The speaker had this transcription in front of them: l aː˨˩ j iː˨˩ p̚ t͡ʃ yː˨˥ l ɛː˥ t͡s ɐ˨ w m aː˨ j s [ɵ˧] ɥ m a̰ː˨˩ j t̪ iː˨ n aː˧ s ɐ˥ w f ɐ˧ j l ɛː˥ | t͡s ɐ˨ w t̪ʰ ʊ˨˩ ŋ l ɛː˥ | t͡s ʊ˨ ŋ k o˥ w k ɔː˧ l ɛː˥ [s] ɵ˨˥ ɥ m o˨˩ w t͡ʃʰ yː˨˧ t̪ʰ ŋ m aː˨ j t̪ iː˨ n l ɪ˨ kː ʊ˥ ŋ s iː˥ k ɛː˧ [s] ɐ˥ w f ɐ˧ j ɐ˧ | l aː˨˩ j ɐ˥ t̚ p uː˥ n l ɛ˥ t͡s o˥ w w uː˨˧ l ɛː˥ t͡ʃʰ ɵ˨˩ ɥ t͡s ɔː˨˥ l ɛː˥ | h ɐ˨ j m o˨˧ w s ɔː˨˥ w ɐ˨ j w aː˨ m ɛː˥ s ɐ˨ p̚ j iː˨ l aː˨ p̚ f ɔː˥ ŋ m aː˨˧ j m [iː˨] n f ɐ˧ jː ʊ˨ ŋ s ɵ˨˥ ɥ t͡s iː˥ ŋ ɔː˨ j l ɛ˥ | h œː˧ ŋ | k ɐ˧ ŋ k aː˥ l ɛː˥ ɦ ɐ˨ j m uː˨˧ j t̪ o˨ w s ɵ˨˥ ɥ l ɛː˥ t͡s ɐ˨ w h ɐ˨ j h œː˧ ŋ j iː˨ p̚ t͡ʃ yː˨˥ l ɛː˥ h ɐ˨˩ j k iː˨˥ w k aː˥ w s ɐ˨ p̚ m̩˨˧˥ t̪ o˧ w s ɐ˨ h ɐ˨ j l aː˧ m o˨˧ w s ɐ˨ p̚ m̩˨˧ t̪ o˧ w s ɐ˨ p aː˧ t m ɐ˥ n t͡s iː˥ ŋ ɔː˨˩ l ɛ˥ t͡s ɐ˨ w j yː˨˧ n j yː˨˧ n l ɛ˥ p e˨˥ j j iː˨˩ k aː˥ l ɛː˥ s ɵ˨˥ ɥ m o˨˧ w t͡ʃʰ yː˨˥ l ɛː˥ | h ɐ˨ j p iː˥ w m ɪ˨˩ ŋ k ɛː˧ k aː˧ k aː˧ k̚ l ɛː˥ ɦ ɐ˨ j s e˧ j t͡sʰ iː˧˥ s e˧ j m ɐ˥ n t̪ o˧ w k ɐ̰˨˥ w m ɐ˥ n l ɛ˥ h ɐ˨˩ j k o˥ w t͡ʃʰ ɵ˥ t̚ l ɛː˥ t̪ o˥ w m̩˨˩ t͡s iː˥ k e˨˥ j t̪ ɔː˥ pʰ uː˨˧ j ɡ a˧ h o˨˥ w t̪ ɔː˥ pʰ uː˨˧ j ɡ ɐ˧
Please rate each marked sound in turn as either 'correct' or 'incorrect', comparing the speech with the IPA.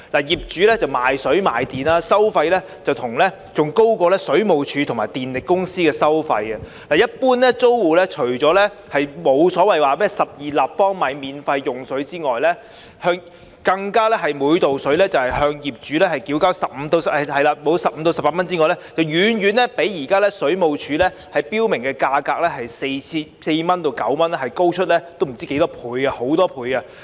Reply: incorrect, correct, correct, correct

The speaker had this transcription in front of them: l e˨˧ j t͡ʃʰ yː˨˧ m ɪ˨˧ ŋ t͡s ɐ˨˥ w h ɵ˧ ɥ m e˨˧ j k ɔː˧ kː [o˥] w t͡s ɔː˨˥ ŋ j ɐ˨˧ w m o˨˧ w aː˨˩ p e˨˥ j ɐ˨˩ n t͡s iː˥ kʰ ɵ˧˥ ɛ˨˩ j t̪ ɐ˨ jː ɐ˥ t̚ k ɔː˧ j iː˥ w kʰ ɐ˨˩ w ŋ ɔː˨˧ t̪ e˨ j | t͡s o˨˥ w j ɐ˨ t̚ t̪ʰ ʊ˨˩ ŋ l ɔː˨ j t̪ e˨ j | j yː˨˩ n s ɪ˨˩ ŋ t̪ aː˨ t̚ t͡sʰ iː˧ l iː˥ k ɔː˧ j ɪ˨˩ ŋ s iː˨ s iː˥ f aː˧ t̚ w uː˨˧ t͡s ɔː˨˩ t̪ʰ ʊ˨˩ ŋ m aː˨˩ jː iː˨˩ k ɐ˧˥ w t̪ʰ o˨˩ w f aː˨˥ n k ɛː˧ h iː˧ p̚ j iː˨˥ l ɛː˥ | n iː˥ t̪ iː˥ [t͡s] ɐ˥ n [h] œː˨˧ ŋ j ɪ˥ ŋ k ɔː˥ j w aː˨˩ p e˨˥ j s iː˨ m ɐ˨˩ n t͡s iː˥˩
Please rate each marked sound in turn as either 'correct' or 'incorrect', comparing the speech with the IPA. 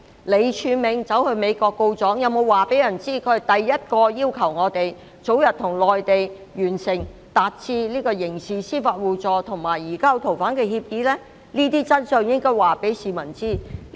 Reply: incorrect, correct, incorrect

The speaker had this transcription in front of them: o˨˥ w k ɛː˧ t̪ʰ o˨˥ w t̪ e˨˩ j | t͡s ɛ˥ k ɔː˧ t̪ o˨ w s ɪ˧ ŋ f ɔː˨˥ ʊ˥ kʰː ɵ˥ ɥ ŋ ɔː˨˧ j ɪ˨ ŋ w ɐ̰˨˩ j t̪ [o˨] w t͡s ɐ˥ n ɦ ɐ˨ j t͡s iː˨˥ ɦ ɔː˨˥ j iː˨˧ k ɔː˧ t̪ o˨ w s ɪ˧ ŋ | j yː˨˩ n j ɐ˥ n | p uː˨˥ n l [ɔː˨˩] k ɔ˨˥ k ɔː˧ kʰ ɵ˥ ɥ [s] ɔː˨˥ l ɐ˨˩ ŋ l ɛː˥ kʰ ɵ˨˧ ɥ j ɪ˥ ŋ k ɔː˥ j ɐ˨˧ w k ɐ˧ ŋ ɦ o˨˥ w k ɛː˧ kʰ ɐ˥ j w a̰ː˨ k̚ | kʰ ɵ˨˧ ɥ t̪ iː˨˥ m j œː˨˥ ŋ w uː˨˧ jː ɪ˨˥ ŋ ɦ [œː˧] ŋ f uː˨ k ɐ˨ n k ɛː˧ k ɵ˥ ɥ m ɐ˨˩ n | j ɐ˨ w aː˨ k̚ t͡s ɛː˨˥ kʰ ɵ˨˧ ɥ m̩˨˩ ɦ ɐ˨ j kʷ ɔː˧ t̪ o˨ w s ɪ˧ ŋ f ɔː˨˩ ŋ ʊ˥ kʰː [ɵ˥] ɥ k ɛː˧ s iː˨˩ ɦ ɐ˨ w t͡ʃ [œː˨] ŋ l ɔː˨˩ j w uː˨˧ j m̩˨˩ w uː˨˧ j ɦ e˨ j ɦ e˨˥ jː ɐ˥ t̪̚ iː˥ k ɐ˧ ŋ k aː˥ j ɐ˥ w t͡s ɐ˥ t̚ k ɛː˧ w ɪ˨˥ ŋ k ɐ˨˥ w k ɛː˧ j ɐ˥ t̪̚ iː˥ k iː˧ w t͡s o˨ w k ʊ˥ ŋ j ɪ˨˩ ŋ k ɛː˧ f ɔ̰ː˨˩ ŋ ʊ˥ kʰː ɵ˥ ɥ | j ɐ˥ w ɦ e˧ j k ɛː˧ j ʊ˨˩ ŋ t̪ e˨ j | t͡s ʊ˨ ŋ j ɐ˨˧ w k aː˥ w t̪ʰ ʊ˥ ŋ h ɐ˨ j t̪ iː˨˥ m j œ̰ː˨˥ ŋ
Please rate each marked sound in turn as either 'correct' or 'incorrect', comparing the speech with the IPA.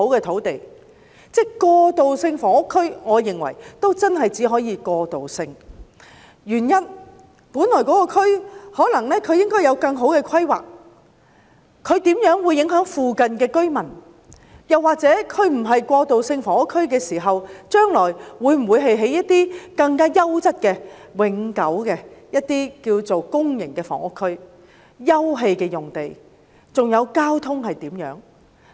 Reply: incorrect, correct, incorrect, incorrect, correct, incorrect

